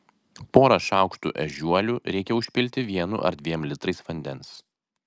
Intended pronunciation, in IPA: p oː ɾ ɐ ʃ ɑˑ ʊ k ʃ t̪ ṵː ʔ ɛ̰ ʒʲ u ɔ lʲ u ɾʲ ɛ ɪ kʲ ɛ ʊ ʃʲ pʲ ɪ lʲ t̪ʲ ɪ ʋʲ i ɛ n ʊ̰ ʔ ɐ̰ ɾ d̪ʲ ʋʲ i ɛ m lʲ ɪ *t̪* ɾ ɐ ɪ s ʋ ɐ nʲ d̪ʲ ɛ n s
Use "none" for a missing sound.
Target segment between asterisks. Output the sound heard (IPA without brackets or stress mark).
t̪